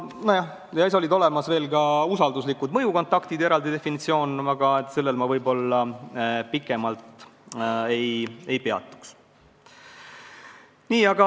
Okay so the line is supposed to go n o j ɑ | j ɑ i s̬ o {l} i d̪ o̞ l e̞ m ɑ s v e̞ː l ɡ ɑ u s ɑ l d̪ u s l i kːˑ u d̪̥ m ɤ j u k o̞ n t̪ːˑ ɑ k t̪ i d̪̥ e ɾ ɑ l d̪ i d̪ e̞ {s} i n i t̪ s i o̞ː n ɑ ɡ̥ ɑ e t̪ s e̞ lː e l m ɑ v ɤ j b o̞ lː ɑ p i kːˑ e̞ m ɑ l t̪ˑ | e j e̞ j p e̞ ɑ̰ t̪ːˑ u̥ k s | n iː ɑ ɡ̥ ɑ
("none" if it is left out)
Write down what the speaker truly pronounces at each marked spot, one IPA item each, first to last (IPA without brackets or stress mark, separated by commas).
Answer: l, f